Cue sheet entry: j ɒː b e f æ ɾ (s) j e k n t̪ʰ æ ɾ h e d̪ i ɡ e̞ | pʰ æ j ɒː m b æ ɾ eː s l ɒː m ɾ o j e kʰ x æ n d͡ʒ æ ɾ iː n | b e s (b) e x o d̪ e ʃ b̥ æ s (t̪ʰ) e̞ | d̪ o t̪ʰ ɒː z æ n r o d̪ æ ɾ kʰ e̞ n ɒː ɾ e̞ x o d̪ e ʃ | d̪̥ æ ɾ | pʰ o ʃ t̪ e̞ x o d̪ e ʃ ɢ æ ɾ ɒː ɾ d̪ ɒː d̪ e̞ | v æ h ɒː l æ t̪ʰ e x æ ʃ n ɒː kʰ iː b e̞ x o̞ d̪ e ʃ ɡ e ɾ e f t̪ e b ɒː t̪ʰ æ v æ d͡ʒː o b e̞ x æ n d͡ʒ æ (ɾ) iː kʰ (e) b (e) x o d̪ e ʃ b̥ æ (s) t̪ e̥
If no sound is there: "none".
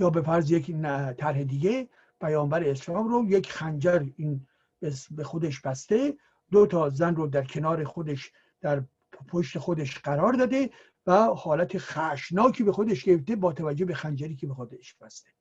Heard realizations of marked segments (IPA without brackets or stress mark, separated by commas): z, b, t̪, ɾ, e, e, s